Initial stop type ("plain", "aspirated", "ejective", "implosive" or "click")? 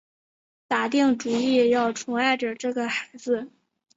plain